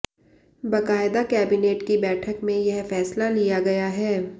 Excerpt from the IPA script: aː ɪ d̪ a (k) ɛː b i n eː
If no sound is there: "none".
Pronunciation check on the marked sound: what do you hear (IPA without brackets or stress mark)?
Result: k